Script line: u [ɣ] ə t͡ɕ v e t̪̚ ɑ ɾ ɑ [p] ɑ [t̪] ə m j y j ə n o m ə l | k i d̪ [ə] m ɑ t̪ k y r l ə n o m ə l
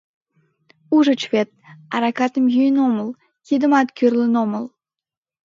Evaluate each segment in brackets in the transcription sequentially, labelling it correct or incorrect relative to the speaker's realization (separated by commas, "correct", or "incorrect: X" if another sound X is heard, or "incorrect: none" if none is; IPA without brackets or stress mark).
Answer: incorrect: ʒ, incorrect: k, correct, correct